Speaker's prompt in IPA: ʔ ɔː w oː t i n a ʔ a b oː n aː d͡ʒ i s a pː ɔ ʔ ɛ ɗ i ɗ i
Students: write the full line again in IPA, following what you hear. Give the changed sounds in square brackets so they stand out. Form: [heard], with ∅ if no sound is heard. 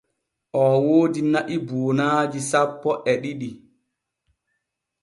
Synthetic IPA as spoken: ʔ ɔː w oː [d] i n a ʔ [i] b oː n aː d͡ʒ i s a pː ɔ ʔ ɛ ɗ i ɗ i